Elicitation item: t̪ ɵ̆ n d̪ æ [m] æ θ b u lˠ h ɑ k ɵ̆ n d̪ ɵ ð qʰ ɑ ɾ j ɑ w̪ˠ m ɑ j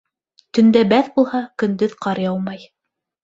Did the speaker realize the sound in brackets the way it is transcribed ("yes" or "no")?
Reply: no